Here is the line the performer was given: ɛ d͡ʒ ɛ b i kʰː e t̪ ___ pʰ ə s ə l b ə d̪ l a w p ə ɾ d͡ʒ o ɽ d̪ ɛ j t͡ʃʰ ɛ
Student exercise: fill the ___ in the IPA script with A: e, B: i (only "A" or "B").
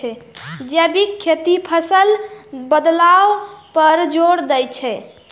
B